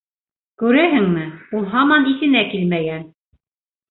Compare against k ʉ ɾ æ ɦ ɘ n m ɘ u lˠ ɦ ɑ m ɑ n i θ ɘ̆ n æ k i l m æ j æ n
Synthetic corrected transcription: k ʉ ɾ æ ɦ ɘ ŋ m ɘ u lˠ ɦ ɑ m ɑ n i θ ɘ̆ n æ k i l m æ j æ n